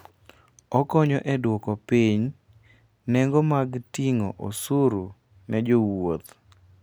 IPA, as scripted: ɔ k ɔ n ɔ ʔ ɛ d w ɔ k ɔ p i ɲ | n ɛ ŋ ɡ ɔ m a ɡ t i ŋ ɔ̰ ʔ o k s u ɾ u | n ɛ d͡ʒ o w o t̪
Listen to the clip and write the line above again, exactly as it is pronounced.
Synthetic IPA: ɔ k ɔ ɲ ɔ ʔ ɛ d w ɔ k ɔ p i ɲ | n ɛ ŋ ɡ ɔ m a ɡ t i ŋ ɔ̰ ʔ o s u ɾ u | n ɛ d͡ʒ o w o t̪